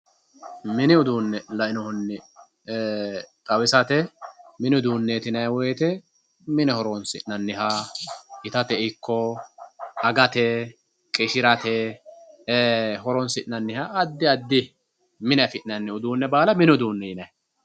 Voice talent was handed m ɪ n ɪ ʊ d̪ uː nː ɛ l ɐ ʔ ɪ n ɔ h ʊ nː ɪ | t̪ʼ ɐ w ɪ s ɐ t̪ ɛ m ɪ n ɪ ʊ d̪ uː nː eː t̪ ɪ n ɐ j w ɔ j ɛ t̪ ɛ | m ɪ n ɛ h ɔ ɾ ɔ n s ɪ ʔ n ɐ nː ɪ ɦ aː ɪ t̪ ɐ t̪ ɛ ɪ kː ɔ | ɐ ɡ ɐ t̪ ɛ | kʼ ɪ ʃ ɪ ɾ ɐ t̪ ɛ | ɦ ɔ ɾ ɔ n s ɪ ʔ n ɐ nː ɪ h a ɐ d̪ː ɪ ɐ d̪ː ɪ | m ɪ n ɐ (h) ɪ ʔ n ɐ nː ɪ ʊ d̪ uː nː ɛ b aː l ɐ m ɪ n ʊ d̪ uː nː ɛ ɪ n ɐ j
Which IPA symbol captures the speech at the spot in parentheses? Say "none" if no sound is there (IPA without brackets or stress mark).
f